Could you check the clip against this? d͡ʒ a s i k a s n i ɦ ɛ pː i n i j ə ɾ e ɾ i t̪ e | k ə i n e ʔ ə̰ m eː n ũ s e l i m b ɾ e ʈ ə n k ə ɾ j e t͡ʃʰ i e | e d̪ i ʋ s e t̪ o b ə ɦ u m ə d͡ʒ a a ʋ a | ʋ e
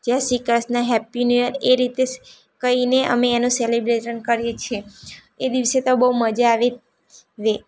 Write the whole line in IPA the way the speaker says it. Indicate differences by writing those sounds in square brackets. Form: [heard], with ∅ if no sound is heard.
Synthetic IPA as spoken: d͡ʒ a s i k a s n [a] ɦ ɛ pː i n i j ə ɾ e ɾ i t̪ e | k ə i n e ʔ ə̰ m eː n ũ s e l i [∅] b ɾ e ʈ ə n k ə ɾ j e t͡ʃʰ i e | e d̪ i ʋ s e t̪ o b ə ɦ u m ə d͡ʒ a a ʋ [e] | ʋ e